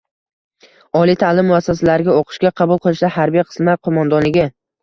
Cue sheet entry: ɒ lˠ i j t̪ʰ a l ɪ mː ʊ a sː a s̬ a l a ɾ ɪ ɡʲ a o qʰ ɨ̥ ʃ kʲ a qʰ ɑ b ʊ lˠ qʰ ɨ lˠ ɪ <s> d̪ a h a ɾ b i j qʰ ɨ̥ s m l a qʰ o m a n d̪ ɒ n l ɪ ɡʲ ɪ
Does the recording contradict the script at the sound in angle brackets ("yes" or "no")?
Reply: yes